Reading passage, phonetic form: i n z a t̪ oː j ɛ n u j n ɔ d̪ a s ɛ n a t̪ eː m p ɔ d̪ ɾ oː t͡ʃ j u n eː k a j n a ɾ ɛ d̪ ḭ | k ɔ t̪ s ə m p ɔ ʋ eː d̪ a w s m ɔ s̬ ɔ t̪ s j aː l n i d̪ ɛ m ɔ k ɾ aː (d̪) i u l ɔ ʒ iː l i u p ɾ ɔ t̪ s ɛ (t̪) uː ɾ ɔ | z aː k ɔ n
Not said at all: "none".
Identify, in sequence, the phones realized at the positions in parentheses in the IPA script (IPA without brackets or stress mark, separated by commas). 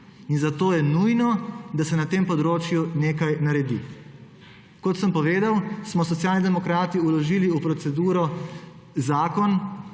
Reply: t̪, d̪